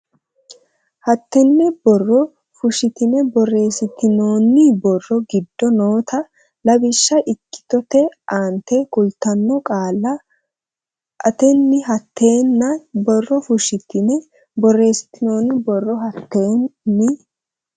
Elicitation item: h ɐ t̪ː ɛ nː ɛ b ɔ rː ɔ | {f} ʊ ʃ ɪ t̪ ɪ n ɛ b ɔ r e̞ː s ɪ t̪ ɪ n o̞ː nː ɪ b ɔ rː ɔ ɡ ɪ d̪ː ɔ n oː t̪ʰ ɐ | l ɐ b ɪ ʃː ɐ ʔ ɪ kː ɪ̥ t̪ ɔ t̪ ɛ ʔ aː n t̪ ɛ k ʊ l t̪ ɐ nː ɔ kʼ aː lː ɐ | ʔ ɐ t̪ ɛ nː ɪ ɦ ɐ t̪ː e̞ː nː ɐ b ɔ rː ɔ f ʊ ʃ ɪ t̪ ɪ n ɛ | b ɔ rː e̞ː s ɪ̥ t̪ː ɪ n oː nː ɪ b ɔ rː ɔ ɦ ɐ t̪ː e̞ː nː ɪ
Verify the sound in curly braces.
correct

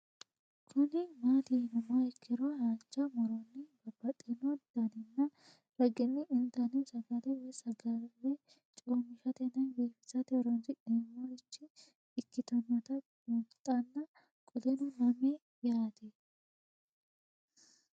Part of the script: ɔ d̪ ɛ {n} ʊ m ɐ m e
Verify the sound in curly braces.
correct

